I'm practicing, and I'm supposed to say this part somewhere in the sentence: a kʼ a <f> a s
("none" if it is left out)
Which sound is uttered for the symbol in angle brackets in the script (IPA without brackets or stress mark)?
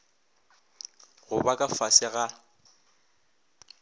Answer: f